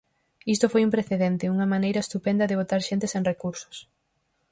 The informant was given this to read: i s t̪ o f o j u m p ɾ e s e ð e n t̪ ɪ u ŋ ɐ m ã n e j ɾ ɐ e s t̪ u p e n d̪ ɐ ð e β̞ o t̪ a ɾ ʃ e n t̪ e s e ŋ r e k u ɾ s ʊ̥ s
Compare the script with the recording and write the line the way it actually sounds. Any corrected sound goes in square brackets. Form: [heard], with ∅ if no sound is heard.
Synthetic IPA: i s t̪ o f o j u m p ɾ e [θ] e ð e n t̪ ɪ u ŋ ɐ m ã n e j ɾ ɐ e s t̪ u p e n d̪ ɐ ð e β̞ o t̪ a ɾ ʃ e n t̪ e s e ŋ r e k u ɾ s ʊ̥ s

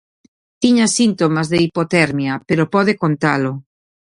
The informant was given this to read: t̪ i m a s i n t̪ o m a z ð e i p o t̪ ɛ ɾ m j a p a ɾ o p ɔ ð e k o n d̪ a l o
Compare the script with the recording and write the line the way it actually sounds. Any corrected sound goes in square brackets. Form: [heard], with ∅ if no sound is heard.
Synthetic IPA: t̪ i [ɲ] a s i n t̪ o m a z ð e i p o t̪ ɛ ɾ m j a p [e] ɾ o p ɔ ð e k o n [t̪] a l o

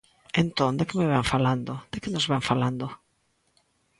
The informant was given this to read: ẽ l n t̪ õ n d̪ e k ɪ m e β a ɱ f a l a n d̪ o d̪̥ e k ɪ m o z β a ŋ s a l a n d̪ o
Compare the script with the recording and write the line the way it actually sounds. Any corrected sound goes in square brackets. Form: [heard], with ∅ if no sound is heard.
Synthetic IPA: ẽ [∅] n t̪ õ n d̪ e k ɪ m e β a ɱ f a l a n d̪ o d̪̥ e k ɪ [n] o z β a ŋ [f] a l a n d̪ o

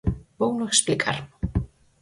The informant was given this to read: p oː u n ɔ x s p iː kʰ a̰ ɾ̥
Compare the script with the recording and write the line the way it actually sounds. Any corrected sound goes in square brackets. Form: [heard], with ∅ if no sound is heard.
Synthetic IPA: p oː [w] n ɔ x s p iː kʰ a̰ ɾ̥

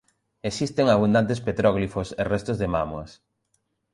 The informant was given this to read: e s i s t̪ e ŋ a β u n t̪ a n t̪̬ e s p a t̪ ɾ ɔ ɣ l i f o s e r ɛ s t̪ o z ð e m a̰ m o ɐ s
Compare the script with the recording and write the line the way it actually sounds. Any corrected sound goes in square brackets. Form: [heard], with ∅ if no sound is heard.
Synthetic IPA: e s i s t̪ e ŋ a β u n [d̪] a n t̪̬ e s p [e] t̪ ɾ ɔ ɣ l i f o s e r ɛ s t̪ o z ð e m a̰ m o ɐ s

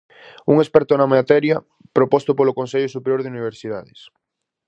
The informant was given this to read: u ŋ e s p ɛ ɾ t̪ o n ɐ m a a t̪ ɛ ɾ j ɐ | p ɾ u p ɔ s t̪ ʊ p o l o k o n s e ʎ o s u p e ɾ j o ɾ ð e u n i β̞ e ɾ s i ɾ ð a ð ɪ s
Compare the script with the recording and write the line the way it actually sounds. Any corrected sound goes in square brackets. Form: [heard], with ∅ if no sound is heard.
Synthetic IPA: u ŋ e s p ɛ ɾ t̪ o n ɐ m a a t̪ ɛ ɾ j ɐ | p ɾ [o] p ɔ s t̪ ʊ p o l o k o n s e ʎ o s u p e ɾ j o ɾ ð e u n i β̞ e ɾ s i [∅] ð a ð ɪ s

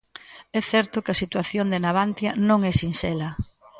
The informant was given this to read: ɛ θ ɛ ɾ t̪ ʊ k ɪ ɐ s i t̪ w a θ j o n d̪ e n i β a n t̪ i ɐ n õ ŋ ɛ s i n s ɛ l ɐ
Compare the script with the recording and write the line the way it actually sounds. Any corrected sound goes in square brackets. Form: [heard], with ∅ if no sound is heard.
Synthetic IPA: ɛ θ ɛ ɾ t̪ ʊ k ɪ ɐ s i t̪ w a θ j o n d̪ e n [a] β a n t̪ [j] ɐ n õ ŋ ɛ s i n s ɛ l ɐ

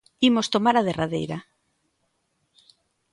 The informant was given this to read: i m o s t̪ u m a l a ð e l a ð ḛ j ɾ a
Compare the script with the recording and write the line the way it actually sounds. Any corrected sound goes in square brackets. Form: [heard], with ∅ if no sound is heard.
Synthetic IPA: i m o s t̪ [o] m a [ɾ] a ð e [r] a ð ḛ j ɾ a

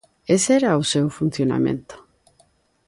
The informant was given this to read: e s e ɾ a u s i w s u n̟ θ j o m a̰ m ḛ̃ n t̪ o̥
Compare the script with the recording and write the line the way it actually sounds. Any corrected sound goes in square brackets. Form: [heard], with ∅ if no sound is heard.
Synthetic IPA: e s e ɾ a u s [e] w [f] u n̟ θ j o [n] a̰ m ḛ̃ n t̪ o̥

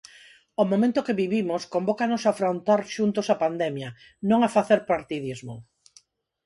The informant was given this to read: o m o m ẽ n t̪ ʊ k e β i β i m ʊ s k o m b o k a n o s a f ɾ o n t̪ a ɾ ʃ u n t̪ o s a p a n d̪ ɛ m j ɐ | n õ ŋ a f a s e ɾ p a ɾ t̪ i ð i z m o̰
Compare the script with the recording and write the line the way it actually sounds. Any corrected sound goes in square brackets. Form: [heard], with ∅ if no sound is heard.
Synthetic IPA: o m o m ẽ n t̪ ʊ k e β i β i m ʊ s k o m b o k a n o s a f ɾ o n t̪ a ɾ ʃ u n t̪ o s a p a n d̪ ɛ m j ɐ | n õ ŋ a f a [θ] e ɾ p a ɾ t̪ i ð i z m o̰

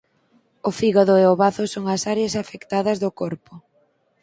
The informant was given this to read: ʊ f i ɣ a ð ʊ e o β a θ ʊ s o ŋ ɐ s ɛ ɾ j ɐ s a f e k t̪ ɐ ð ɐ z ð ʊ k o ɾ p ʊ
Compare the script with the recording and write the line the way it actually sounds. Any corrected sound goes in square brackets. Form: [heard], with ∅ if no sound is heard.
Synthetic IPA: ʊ f i ɣ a ð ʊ e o β a θ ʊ s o ŋ ɐ s [a] ɾ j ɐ s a f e k t̪ [a] ð ɐ z ð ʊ k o ɾ p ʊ

